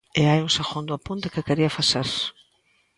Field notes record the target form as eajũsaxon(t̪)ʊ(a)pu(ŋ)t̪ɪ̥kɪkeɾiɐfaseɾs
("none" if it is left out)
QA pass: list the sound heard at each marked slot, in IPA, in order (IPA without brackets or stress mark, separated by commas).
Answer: d̪, a, n